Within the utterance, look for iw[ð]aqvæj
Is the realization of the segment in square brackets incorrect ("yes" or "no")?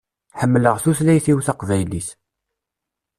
yes